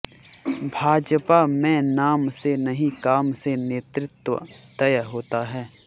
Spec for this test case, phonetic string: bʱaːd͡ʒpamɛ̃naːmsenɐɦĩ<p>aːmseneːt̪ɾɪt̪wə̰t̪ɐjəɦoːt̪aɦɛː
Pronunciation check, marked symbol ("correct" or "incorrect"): incorrect